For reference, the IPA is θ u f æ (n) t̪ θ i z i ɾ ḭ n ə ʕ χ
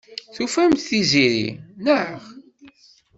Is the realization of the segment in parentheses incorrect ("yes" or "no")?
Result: yes